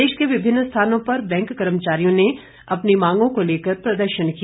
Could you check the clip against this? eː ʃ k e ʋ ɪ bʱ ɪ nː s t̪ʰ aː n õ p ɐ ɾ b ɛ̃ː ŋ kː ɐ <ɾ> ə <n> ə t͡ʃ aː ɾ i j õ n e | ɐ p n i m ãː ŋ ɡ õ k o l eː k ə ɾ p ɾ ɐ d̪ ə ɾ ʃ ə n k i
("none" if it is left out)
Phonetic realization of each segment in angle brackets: ɾ, m

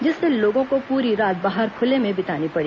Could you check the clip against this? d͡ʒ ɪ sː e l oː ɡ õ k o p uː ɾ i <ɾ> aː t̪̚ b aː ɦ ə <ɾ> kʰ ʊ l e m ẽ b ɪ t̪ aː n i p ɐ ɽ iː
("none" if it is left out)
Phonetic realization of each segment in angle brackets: ɾ, ɾ

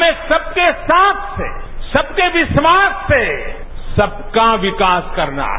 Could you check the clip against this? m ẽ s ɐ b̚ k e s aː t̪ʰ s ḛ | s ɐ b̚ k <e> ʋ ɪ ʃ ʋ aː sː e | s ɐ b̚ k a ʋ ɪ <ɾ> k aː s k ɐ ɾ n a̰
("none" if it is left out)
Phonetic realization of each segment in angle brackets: e, none

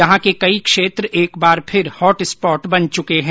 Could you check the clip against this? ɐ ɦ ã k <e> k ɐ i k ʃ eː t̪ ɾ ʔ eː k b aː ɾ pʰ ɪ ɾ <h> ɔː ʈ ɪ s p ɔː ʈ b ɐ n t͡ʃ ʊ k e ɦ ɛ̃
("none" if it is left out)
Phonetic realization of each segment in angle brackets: e, h

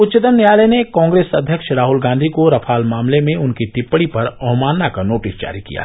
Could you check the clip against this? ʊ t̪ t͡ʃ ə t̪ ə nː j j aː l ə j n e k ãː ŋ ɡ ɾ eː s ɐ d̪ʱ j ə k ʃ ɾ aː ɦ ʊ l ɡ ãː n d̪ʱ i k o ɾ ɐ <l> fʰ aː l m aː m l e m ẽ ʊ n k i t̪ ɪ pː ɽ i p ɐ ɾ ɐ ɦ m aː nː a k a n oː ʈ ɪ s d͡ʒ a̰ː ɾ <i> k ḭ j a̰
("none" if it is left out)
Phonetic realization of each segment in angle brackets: none, i

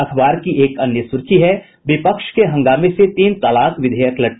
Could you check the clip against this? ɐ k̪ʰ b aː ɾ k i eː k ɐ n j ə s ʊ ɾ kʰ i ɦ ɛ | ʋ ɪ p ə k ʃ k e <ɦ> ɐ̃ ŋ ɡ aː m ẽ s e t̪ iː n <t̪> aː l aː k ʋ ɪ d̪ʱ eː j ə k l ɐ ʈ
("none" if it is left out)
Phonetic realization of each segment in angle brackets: ɦ, t̪

